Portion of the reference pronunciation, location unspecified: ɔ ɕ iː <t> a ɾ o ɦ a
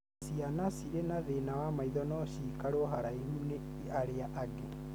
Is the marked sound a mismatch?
yes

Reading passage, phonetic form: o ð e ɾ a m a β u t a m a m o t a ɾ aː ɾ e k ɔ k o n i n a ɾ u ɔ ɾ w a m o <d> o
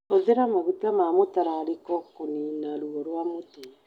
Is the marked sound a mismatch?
yes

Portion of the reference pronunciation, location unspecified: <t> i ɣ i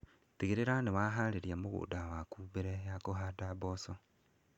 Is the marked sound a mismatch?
no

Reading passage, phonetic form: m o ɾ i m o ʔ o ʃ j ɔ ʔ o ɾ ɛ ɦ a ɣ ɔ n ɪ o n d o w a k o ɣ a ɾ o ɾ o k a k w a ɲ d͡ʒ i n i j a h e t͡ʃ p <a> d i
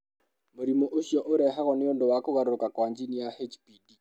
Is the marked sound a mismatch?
yes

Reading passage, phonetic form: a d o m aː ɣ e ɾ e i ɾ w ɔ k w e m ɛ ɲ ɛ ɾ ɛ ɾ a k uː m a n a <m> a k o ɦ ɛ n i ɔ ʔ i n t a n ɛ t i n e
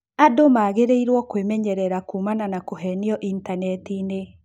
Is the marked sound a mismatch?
yes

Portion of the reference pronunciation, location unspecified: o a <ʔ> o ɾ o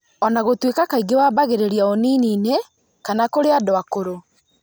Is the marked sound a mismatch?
yes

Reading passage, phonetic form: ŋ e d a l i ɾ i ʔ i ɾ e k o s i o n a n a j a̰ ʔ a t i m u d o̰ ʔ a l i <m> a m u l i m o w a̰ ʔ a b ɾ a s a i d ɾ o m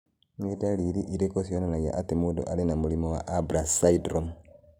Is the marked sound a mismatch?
yes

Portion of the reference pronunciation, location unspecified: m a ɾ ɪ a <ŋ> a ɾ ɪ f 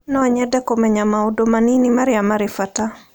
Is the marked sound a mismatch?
yes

